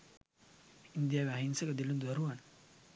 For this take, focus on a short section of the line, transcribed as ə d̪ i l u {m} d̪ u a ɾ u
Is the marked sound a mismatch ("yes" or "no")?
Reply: yes